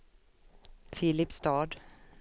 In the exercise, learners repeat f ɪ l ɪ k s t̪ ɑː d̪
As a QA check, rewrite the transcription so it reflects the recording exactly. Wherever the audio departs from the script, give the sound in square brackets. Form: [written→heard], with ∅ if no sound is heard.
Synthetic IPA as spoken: f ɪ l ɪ [k→p] s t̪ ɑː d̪

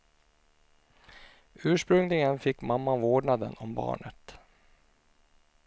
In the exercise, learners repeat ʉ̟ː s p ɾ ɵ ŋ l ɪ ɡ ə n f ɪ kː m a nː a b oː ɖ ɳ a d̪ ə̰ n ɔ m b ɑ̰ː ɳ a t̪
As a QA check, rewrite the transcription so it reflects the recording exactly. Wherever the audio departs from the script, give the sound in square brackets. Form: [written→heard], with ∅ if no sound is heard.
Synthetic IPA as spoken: ʉ̟ː [s→ʂ] p ɾ ɵ ŋ l ɪ ɡ ə n f ɪ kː m a [nː→mː] a [b→v] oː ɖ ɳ a d̪ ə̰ n ɔ m b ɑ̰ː ɳ [a→ə] t̪

